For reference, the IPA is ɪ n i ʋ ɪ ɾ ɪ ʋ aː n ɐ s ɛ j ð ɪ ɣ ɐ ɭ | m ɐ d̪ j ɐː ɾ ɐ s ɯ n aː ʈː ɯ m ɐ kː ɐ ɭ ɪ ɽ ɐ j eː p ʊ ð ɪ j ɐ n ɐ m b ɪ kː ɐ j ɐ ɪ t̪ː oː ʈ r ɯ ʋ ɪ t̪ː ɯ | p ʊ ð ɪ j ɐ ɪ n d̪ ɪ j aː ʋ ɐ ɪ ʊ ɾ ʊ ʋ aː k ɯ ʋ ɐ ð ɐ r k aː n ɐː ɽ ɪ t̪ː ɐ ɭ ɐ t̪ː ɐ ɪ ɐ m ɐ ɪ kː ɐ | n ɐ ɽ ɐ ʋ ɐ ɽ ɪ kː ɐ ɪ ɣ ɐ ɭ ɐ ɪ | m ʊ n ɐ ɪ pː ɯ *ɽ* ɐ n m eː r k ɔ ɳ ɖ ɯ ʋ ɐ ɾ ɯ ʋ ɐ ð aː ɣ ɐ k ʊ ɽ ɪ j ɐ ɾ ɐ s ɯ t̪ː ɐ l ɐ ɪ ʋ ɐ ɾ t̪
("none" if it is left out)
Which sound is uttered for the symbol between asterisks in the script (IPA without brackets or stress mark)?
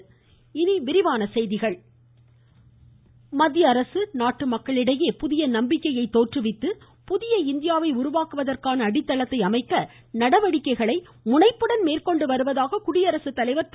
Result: ɽ